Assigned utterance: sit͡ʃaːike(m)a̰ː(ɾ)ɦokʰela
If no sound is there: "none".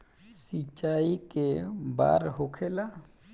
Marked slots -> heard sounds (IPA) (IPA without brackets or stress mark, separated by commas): b, ɾ